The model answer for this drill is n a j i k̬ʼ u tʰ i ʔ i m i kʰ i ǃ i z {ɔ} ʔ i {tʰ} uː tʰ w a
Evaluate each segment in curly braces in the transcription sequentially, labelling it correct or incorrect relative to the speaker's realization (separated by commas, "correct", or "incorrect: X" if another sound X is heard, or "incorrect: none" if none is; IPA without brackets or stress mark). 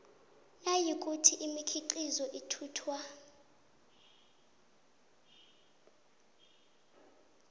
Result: correct, correct